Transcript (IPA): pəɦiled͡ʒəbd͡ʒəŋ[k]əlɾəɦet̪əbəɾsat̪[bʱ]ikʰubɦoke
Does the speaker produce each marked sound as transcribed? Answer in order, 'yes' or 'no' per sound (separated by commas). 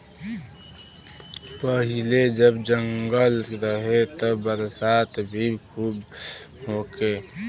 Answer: no, yes